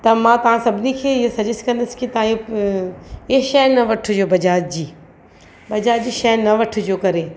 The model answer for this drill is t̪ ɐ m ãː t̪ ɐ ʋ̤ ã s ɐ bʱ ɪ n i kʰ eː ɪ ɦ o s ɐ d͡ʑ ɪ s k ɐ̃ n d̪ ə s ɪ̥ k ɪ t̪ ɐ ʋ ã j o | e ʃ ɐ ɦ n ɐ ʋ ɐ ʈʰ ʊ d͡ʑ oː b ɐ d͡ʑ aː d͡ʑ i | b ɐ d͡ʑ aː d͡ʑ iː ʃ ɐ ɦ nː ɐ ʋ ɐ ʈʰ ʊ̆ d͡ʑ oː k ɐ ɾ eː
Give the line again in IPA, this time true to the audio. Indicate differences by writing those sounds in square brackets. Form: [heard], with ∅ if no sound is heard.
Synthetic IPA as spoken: t̪ ɐ m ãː t̪ ɐ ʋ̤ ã s ɐ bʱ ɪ n i kʰ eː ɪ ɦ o s ɐ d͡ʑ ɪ s k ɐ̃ n d̪ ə s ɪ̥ k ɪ t̪ ɐ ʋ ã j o | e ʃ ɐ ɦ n ɐ ʋ ɐ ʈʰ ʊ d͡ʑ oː b ɐ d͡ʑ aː d͡ʑ [iː] | b ɐ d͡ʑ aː d͡ʑ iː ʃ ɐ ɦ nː ɐ ʋ ɐ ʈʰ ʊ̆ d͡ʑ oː k ɐ ɾ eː